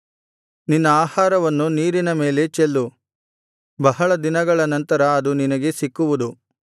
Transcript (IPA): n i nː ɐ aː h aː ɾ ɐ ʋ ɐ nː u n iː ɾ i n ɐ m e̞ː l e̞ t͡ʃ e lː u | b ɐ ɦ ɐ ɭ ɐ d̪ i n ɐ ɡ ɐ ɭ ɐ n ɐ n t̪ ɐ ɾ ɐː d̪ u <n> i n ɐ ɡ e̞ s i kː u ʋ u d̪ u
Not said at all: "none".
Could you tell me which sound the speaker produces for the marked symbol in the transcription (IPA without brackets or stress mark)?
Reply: n